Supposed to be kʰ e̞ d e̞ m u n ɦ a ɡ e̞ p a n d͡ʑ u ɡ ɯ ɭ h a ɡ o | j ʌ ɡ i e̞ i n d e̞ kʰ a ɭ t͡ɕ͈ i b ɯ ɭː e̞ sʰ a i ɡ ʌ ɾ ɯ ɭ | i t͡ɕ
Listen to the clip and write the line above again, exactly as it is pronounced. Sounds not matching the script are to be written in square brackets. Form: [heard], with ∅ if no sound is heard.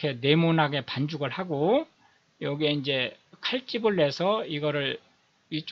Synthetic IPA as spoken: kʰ e̞ [n] e̞ m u n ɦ a ɡ e̞ p a n d͡ʑ u ɡ ɯ ɭ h a ɡ o | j ʌ ɡ i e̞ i n [d͡ʑ] e̞ kʰ a ɭ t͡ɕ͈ i b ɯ ɭː e̞ sʰ [ʌ] i ɡ ʌ ɾ ɯ ɭ | i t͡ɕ